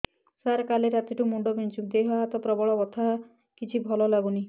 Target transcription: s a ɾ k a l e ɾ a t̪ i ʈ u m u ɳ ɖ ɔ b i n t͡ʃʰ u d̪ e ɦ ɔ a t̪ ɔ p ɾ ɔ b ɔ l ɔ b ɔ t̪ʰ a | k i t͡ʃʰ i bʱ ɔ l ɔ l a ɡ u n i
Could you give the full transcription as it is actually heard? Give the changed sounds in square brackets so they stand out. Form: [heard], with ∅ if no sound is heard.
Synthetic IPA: s a ɾ k a l e ɾ a t̪ i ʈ u m u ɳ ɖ ɔ b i n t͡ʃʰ u d̪ e ɦ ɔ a t̪ ɔ p ɾ ɔ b ɔ [ɭ] ɔ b ɔ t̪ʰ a | k i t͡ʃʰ i bʱ ɔ l ɔ l a ɡ u n i